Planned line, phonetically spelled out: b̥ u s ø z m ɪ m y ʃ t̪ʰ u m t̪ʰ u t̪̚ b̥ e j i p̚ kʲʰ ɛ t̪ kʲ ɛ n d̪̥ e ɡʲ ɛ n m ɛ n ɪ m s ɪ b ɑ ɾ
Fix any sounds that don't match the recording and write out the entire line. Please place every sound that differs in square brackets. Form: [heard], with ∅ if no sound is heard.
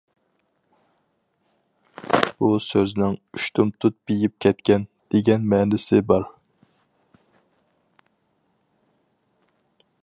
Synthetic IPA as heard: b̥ u s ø z [n] ɪ [ŋ] y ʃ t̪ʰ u m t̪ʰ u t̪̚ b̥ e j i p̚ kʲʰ ɛ t̪ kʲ ɛ n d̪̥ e ɡʲ ɛ n m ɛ n ɪ [∅] s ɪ b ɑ ɾ